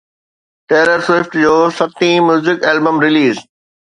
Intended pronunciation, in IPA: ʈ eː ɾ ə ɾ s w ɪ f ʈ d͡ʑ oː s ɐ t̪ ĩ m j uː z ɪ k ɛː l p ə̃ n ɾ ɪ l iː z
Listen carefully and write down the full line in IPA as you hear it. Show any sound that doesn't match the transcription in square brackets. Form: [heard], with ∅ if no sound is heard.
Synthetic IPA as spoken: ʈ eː ɾ ə ɾ s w ɪ f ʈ d͡ʑ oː s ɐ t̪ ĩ m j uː z ɪ k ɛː l [b] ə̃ [m] ɾ ɪ l iː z